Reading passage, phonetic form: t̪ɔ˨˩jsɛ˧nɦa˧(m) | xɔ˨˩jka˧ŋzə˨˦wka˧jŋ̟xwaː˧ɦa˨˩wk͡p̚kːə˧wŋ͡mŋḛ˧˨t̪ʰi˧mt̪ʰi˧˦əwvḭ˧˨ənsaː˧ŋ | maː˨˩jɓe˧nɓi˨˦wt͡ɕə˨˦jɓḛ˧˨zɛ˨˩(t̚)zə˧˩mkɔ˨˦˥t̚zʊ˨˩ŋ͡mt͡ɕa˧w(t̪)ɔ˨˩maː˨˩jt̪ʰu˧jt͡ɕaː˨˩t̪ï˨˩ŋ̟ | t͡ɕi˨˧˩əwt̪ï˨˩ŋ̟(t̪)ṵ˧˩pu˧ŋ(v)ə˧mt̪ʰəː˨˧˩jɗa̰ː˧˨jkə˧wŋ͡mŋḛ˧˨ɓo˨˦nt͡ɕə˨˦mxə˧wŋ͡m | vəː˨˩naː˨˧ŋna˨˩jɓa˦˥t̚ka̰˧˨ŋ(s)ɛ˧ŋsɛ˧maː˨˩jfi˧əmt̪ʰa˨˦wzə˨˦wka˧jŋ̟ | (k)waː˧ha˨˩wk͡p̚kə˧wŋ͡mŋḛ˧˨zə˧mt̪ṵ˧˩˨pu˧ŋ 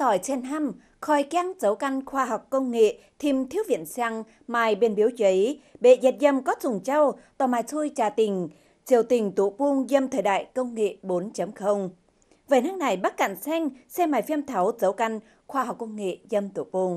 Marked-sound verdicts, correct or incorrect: correct, correct, correct, correct, incorrect: z, correct, incorrect: x

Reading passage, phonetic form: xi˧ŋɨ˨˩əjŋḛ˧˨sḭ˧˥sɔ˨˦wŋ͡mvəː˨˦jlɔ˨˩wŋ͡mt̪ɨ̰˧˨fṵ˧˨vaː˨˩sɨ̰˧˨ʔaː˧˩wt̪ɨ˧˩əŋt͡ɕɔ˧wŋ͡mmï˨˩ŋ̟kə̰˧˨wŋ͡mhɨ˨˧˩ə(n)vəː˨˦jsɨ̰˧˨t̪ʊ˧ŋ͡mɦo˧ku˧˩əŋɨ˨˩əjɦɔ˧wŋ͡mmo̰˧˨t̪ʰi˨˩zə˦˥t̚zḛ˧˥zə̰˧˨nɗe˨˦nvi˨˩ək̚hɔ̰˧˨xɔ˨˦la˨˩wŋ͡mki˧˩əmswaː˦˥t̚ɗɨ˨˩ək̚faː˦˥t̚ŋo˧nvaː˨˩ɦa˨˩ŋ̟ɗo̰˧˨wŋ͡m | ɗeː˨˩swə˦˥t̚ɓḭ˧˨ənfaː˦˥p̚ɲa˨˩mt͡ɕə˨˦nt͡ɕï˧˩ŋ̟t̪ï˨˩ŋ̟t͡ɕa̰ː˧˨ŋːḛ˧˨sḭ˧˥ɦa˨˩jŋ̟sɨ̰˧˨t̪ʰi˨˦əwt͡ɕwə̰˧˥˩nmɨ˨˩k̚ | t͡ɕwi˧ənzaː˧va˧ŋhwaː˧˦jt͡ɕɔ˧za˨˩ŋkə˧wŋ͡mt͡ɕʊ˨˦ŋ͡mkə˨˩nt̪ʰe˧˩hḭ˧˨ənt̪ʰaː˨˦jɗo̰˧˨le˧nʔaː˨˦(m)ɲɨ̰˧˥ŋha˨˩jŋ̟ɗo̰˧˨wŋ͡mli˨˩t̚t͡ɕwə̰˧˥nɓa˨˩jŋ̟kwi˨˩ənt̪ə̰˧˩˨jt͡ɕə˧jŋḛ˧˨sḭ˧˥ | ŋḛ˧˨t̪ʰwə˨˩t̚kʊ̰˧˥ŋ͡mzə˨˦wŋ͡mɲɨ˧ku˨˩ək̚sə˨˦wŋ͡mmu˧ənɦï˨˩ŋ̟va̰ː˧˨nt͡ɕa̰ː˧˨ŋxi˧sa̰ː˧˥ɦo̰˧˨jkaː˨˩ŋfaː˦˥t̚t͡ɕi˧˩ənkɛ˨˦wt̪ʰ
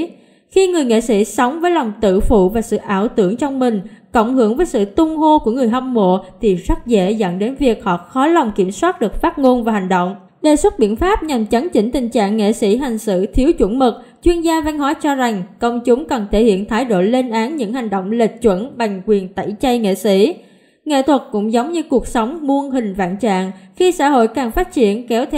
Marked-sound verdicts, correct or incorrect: incorrect: ŋ, incorrect: n

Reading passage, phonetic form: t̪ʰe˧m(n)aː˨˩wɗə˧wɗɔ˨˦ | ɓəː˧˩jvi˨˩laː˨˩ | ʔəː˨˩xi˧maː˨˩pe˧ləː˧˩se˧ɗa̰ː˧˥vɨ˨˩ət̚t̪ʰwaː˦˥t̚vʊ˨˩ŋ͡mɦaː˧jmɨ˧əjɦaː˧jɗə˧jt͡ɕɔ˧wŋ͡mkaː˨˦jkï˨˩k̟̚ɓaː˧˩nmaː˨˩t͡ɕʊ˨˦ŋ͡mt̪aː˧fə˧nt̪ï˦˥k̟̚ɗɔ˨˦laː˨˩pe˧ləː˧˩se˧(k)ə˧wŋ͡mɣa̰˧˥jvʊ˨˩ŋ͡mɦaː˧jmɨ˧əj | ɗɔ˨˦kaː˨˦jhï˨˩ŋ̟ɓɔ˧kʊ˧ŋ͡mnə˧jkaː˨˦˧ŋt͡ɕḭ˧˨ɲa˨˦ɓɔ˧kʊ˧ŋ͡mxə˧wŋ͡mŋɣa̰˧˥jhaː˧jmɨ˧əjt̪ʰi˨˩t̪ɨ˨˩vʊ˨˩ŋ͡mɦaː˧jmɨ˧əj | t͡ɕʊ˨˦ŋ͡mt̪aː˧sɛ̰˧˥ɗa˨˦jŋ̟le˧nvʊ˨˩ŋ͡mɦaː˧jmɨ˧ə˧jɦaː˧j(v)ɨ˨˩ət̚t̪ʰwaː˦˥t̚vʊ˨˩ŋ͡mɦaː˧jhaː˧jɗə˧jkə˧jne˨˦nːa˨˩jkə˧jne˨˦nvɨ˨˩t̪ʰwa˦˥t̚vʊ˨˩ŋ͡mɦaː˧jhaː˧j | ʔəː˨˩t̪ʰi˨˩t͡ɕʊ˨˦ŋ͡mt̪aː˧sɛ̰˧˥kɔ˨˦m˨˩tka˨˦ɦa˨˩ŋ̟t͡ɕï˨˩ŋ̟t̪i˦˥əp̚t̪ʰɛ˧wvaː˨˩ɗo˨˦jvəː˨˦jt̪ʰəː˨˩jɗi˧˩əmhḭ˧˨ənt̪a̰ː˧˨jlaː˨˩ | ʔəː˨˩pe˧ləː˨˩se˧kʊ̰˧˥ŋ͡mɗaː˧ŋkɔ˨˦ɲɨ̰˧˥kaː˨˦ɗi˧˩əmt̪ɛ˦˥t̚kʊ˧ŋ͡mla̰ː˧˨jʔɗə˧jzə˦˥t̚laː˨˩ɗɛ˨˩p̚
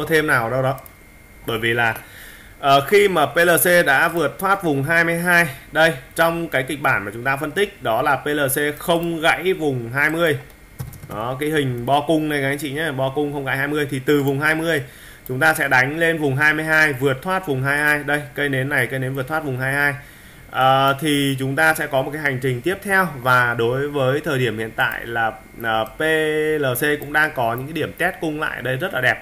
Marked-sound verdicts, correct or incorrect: correct, incorrect: x, correct

